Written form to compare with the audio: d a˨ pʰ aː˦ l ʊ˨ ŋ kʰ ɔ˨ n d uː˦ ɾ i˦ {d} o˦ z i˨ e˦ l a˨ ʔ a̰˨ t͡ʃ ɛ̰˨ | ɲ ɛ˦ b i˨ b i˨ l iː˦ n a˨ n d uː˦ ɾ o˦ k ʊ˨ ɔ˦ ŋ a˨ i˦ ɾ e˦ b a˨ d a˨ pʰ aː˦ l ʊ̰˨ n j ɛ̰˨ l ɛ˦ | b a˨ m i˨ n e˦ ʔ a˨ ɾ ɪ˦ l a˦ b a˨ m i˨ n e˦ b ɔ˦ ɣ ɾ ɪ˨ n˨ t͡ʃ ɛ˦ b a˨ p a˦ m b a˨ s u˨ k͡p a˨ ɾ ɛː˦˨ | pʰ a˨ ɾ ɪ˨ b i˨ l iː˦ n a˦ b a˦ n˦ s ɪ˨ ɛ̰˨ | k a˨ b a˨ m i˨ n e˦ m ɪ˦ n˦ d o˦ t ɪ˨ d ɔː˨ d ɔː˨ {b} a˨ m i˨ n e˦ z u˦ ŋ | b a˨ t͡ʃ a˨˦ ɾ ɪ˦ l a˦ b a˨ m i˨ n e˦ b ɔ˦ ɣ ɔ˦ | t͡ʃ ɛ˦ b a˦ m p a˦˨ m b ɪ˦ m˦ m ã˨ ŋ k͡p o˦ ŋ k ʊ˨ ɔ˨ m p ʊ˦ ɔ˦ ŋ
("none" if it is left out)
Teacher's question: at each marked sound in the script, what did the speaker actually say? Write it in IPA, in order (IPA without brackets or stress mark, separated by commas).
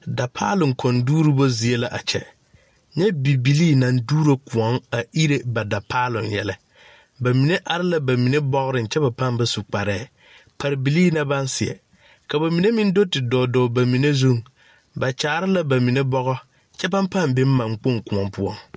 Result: b, b